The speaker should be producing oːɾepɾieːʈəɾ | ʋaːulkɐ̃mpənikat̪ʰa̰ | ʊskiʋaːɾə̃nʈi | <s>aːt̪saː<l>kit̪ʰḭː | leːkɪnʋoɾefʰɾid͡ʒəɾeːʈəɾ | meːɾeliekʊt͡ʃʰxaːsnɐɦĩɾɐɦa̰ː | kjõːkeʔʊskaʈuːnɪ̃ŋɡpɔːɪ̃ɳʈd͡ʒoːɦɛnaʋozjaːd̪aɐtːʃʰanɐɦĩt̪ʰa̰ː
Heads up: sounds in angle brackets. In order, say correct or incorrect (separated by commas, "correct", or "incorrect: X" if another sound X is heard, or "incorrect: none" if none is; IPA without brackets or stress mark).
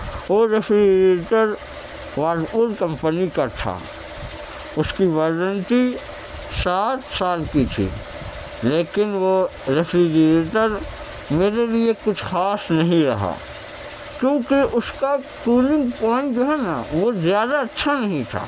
correct, correct